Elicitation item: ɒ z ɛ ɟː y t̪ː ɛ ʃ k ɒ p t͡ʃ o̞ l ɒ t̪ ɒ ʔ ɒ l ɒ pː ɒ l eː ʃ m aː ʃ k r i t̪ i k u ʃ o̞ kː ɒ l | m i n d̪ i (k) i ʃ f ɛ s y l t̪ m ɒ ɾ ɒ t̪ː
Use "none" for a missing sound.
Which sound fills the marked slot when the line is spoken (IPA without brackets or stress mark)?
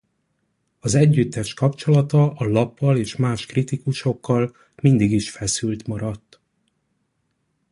ɡ